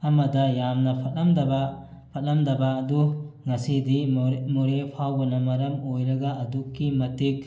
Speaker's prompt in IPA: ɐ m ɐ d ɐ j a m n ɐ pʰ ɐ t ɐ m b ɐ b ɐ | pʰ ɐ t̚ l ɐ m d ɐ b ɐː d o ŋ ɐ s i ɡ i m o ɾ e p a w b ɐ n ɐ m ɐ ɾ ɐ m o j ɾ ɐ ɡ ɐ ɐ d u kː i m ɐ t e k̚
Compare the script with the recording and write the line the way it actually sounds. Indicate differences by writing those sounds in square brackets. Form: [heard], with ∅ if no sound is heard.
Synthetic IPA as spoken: ɐ m ɐ d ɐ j a m n ɐ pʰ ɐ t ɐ m [d] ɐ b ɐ | pʰ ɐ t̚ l ɐ m d ɐ b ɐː d [u] ŋ ɐ s i [d] i m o ɾ e [pʰ] a w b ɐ n ɐ m ɐ ɾ ɐ m o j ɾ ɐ ɡ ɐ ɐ d u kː i m ɐ t [i] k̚

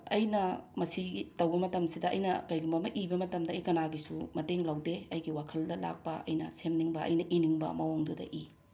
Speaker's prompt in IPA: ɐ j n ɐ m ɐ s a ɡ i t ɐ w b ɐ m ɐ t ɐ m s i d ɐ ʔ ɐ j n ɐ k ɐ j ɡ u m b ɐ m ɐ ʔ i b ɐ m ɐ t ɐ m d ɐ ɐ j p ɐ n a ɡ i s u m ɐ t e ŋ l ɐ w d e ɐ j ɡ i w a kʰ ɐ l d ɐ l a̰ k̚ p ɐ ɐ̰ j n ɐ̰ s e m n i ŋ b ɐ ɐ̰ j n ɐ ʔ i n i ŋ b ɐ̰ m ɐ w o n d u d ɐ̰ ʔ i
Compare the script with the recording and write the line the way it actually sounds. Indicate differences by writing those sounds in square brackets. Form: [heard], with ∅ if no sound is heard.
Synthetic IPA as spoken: ɐ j n ɐ m ɐ s [i] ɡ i t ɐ w b ɐ m ɐ t ɐ m s i d ɐ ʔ ɐ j n ɐ k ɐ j ɡ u m b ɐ m ɐ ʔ i b ɐ m ɐ t ɐ m d ɐ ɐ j [k] ɐ n a ɡ i s u m ɐ t e ŋ l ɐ w d e ɐ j ɡ i w a kʰ ɐ l d ɐ l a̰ k̚ p ɐ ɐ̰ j n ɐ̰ s e m n i ŋ b ɐ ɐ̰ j n ɐ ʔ i n i ŋ b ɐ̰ m ɐ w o [ŋ] d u d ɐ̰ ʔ i

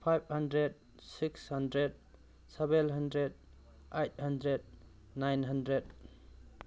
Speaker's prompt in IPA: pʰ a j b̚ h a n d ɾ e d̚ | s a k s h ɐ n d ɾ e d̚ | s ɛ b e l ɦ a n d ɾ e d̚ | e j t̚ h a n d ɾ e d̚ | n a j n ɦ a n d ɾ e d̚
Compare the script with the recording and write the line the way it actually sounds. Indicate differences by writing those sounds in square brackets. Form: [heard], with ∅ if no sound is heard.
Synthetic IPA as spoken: pʰ a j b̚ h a n d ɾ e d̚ | s [i] k s h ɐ n d ɾ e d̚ | s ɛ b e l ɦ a n d ɾ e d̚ | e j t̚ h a n d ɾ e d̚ | n a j n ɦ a n d ɾ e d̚

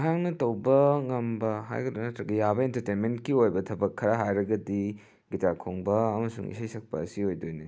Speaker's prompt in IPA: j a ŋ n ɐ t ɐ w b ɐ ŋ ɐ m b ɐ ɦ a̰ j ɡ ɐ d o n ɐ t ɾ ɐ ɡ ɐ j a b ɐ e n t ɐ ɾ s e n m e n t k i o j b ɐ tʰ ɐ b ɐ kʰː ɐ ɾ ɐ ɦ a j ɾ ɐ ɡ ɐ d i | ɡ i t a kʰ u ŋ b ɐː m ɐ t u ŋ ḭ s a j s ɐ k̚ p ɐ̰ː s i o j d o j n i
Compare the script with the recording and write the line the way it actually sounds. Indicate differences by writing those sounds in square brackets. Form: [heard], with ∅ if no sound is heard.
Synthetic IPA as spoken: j a ŋ n ɐ t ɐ w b ɐ ŋ ɐ m b ɐ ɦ a̰ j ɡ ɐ d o n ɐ t ɾ ɐ ɡ ɐ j a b ɐ e n t ɐ ɾ [t] e n m e n t k i o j b ɐ tʰ ɐ b ɐ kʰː ɐ ɾ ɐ ɦ a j ɾ ɐ ɡ ɐ d i | ɡ i t a kʰ [o] ŋ b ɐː m ɐ [s] u ŋ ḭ s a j s ɐ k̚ p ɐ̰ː s i o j d o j n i

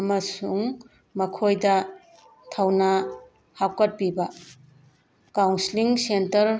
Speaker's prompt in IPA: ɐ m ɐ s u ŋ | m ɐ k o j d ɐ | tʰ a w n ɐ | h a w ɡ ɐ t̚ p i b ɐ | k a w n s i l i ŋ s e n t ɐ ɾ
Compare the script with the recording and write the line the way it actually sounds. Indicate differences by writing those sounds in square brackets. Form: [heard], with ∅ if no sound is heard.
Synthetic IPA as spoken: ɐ m ɐ s u ŋ | m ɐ [kʰ] o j d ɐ | tʰ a w n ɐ | h a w [k] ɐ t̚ p i b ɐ | k a w n s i l i ŋ s e n t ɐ ɾ

